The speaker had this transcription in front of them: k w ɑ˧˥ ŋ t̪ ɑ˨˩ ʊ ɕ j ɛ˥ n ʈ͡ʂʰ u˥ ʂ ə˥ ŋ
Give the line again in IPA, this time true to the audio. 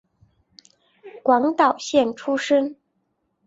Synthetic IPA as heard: k w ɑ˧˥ ŋ t̪ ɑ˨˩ ʊ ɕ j ɛ˥˩ n ʈ͡ʂʰ u˥ ʂ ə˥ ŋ